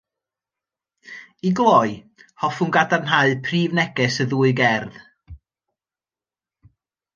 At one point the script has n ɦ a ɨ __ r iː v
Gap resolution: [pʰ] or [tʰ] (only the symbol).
pʰ